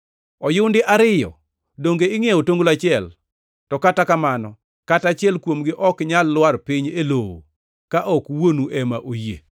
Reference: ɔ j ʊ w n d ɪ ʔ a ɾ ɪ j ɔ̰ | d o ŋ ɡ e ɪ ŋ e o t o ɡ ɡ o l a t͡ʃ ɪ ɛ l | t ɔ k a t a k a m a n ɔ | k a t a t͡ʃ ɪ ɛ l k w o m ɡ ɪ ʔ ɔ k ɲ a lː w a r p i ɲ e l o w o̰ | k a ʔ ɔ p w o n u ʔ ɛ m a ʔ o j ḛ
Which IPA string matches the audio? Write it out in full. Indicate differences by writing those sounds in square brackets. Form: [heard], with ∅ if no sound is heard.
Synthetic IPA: ɔ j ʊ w n d ɪ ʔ a ɾ ɪ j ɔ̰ | d o ŋ ɡ e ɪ ŋ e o t o [ŋ] ɡ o l a t͡ʃ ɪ ɛ l | t ɔ k a t a k a m a n ɔ | k a t a t͡ʃ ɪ ɛ l k w o m ɡ ɪ ʔ ɔ k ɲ a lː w a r p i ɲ e l o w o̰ | k a ʔ ɔ [k] w o n u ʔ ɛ m a ʔ o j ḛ